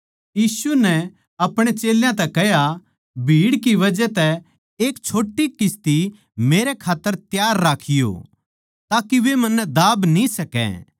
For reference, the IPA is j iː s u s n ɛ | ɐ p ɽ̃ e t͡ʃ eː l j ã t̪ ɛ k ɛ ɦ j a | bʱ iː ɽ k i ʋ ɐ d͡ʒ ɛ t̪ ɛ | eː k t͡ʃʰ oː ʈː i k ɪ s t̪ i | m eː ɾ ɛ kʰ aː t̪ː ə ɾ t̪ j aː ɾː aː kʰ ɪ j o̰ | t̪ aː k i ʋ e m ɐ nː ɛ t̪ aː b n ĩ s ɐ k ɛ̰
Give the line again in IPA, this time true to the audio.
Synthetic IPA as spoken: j iː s u n ɛ | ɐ p ɽ̃ e t͡ʃ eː l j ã t̪ ɛ k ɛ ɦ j a | bʱ iː ɽ k i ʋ ɐ d͡ʒ ɛ t̪ ɛ | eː k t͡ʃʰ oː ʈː i k ɪ s t̪ i | m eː ɾ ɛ kʰ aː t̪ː ə ɾ t̪ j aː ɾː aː kʰ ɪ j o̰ | t̪ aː k i ʋ e m ɐ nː ɛ d̪ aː b n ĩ s ɐ k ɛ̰